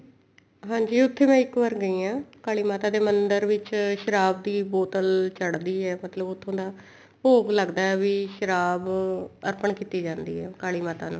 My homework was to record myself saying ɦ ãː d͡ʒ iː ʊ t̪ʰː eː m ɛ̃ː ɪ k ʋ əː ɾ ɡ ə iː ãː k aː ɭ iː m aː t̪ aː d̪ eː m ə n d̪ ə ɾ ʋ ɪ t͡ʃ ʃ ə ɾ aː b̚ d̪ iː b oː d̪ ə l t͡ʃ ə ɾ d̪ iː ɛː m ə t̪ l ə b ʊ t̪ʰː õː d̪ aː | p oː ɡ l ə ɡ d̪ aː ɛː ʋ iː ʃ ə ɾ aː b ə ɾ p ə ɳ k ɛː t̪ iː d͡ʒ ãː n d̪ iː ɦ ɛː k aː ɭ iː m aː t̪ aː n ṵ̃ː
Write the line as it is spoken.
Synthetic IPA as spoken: ɦ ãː d͡ʒ iː ʊ t̪ʰː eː m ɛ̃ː ɪ k ʋ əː ɾ ɡ ə iː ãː k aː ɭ iː m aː t̪ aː d̪ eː m ə n d̪ ə ɾ ʋ ɪ t͡ʃ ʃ ə ɾ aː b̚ d̪ iː b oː t̪ ə l t͡ʃ ə ɽ d̪ iː ɛː m ə t̪ l ə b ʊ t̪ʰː õː d̪ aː | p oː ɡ l ə ɡ d̪ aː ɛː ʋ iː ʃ ə ɾ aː b ə ɾ p ə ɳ k iː t̪ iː d͡ʒ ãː n d̪ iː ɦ ɛː k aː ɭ iː m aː t̪ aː n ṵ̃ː